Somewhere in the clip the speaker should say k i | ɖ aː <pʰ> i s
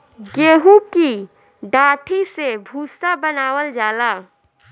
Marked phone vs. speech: incorrect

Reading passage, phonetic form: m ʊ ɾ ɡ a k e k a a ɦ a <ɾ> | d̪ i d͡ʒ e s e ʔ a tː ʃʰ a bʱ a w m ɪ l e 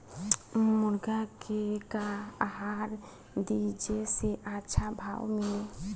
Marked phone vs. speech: correct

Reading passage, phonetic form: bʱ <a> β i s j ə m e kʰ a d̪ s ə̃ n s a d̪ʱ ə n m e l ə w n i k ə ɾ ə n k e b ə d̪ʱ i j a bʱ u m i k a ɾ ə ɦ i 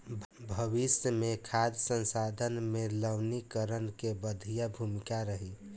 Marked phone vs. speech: incorrect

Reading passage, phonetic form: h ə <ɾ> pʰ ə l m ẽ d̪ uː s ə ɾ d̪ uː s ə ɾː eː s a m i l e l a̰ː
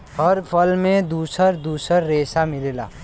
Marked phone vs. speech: correct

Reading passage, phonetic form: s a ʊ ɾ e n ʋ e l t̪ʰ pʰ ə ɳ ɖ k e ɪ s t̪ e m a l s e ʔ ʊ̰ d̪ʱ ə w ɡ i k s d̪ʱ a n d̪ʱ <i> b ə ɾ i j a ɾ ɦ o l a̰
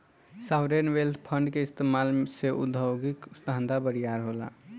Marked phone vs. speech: incorrect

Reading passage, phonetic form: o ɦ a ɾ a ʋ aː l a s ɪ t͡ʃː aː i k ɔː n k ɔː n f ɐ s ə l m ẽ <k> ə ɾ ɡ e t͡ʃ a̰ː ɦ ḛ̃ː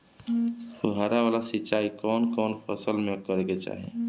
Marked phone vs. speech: correct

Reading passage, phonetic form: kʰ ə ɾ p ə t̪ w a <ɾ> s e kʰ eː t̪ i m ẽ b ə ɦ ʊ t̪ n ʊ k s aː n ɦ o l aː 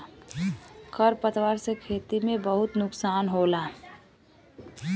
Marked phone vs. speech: correct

